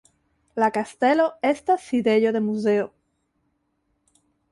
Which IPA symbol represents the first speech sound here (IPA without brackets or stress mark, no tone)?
l